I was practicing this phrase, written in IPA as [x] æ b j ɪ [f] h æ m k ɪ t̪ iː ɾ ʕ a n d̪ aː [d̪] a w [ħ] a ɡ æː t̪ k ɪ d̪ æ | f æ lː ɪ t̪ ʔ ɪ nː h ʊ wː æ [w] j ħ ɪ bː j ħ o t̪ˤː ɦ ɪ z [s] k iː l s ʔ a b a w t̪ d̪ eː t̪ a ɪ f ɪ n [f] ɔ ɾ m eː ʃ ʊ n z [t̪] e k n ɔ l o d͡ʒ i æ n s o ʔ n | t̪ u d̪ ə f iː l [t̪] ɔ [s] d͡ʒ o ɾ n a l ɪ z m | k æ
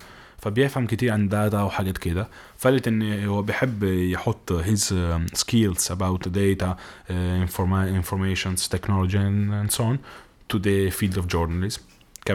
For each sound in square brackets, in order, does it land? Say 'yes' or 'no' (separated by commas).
no, yes, no, yes, no, yes, yes, yes, no, no